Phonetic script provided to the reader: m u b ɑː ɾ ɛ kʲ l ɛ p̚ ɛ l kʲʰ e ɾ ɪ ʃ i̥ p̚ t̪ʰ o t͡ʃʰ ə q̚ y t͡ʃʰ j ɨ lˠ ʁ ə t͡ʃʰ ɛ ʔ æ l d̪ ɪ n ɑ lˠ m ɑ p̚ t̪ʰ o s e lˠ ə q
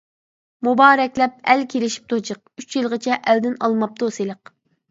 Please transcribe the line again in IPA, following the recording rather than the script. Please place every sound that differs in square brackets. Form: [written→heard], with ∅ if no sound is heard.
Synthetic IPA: m u b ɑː ɾ ɛ kʲ l ɛ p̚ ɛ l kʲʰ e [ɾ→l] ɪ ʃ i̥ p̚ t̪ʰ o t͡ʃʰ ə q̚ y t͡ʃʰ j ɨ lˠ ʁ ə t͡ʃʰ ɛ ʔ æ l d̪ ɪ n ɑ lˠ m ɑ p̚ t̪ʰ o s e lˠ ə q